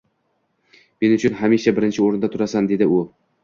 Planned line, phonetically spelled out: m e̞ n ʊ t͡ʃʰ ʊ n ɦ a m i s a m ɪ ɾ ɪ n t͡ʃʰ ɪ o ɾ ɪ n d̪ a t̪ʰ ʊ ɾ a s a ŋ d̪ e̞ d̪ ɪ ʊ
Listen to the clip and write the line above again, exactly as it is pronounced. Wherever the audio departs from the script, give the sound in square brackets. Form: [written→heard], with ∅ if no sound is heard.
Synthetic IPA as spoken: m e̞ n ʊ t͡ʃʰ ʊ n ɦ a m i [s→ʃ] a [m→b] ɪ ɾ ɪ n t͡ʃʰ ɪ o ɾ ɪ n d̪ a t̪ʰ ʊ ɾ a s a [ŋ→n] d̪ e̞ d̪ ɪ ʊ